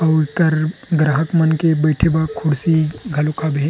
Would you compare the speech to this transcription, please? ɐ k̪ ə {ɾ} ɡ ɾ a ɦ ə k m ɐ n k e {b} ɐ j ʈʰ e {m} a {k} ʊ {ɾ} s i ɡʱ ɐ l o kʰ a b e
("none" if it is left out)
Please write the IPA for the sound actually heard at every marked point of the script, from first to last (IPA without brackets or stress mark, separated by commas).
ɾ, b, b, kʰ, ɽ